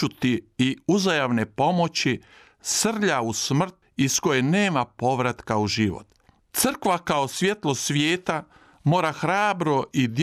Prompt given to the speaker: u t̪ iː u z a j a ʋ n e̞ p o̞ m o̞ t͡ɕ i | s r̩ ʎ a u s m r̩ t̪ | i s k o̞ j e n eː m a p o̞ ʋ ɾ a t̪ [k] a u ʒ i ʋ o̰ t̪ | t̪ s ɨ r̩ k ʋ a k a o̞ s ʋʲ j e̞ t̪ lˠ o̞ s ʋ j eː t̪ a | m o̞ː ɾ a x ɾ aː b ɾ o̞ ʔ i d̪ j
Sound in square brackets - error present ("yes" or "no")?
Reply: no